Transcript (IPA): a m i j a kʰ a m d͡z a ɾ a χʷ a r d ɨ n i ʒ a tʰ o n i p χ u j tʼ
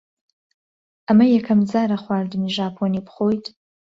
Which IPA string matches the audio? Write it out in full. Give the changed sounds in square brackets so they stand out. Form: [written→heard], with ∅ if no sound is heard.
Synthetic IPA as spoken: a m [i→a] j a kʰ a m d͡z a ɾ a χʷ a r d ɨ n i ʒ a [tʰ→pʰ] o n i p χ [u→o] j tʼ